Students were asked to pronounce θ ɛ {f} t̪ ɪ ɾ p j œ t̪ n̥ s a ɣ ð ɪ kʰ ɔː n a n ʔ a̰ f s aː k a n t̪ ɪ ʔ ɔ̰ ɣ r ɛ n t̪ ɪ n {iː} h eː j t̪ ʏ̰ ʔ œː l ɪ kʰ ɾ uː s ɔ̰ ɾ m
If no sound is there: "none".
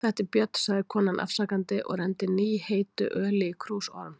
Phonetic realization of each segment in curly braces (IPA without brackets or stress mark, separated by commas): h, iː